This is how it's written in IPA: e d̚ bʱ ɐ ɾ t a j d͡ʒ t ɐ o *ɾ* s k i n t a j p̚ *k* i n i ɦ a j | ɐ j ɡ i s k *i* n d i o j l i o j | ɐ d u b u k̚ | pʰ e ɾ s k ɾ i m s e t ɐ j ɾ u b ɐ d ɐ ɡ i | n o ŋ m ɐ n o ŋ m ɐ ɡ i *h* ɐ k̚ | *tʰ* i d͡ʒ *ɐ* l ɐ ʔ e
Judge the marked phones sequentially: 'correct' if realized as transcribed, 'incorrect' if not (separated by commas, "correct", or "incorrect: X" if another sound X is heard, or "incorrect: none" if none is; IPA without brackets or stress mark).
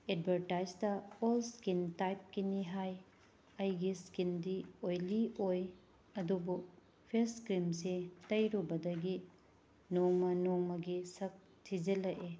incorrect: l, correct, correct, incorrect: s, correct, correct